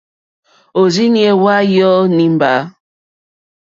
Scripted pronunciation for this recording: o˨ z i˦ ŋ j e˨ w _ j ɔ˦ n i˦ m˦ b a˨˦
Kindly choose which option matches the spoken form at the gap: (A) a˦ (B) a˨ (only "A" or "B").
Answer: A